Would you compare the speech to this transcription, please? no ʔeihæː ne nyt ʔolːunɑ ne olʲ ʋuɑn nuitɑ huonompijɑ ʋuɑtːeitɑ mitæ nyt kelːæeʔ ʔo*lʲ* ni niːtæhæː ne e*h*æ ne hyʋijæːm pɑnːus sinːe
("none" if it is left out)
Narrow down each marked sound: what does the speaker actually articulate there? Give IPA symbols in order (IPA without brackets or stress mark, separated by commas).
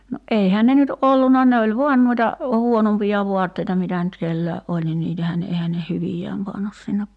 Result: lʲ, h